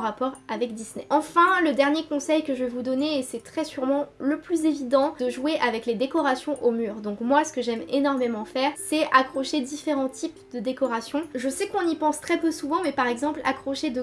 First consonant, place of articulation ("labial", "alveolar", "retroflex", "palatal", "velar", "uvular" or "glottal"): uvular